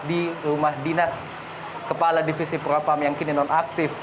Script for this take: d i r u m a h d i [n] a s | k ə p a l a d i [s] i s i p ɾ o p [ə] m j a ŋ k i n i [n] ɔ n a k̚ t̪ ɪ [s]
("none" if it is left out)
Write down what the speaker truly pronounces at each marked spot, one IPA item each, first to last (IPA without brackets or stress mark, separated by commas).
n, f, a, n, f